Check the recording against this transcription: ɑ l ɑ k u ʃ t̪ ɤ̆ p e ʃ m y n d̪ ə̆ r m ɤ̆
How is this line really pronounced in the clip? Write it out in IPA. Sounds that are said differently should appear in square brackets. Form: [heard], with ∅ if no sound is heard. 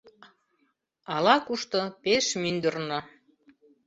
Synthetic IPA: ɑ l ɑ k u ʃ t̪ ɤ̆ p e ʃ m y n d̪ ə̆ r [n] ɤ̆

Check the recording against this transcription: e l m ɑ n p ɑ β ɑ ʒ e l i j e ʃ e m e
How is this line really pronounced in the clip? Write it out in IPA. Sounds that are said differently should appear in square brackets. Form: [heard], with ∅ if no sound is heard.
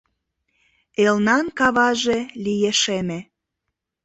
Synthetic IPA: e l [n] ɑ n [k] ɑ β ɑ ʒ e l i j e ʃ e m e

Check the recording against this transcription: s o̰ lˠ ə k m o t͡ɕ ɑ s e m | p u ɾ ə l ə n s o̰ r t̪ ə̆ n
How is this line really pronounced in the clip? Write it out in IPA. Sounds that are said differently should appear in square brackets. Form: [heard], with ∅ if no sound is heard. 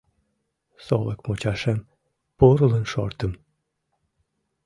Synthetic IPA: s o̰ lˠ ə k m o t͡ɕ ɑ [ʃ] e m | p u ɾ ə l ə n [ʃ] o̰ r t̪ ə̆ [m]

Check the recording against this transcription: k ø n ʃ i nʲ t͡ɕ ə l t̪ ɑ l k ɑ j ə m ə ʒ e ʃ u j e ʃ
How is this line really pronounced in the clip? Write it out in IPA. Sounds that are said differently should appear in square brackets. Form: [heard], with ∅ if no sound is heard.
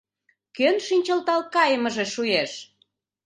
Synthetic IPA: k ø n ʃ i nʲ t͡ɕ ə l t̪ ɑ l k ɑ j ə m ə ʒ e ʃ u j e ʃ

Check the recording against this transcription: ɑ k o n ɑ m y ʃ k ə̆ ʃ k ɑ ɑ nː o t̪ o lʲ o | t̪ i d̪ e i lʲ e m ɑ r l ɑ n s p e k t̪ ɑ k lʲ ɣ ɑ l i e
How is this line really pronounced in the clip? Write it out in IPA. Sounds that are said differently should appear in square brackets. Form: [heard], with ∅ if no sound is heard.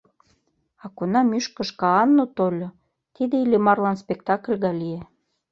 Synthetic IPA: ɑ k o n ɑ m y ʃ k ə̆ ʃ k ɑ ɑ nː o t̪ o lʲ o | t̪ i d̪ e i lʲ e m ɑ r l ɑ n s p e k t̪ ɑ k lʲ ɣ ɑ l i e

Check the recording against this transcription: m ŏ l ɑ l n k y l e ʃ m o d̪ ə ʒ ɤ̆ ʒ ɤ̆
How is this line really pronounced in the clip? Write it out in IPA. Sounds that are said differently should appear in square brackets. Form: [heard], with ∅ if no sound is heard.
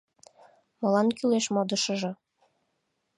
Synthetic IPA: m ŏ l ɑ [∅] n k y l e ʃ m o d̪ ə [ʃ] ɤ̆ ʒ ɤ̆

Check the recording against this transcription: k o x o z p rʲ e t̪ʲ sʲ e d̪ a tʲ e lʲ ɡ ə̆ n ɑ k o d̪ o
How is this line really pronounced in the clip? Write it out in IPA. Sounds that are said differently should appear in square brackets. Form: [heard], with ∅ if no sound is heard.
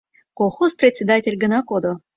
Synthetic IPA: k o x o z p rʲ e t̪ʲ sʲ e d̪ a tʲ e lʲ ɡ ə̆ n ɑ k o d̪ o

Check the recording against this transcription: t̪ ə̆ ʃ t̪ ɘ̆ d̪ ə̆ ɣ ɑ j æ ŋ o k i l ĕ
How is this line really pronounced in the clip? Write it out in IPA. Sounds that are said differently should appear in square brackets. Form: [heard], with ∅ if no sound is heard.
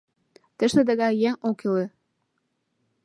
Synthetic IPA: t̪ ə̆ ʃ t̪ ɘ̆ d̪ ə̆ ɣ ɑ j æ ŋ o k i l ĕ

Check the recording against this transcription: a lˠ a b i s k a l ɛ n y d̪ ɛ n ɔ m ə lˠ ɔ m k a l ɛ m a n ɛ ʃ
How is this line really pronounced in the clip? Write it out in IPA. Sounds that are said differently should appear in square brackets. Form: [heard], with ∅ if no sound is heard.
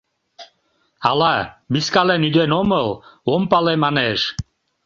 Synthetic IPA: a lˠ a b i s k a l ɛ n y d̪ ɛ n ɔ m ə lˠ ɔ m [p] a l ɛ m a n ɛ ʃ

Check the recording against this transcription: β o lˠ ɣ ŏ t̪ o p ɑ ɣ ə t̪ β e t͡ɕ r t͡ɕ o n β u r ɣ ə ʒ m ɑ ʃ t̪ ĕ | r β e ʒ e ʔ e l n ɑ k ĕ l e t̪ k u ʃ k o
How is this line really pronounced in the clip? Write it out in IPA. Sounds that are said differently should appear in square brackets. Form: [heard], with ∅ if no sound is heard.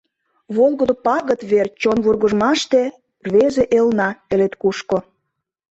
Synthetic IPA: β o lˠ ɣ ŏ [d̪] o p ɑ ɣ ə t̪ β e [∅] r t͡ɕ o n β u r ɣ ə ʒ m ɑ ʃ t̪ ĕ | r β e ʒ e ʔ e l n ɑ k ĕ l e t̪ k u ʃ k o

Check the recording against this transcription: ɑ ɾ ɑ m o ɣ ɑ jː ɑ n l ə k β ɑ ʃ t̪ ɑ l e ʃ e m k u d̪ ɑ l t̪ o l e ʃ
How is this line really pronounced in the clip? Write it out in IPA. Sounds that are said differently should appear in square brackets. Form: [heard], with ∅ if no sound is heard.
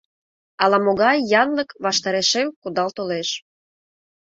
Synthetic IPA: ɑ [l] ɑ m o ɣ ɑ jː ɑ n l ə k β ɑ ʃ t̪ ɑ [ɾ] e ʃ e m k u d̪ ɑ l t̪ o l e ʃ

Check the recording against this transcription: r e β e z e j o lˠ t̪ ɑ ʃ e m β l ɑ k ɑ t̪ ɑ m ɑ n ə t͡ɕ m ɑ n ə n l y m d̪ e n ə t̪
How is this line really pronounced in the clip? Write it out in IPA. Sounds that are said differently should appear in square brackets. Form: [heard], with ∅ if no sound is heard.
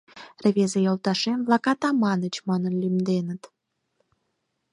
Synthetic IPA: r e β e z e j o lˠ t̪ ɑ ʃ e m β l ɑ k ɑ t̪ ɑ m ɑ n ə t͡ɕ m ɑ n ə n l y m d̪ e n ə t̪

